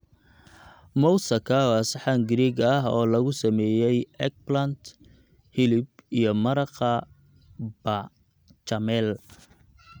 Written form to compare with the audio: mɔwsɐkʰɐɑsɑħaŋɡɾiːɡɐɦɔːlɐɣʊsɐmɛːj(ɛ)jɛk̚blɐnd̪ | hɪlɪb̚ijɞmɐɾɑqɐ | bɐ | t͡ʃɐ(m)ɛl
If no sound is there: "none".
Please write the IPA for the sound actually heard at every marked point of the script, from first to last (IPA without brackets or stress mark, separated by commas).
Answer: ɛ, m